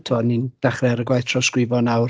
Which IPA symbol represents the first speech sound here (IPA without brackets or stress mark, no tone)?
tʰ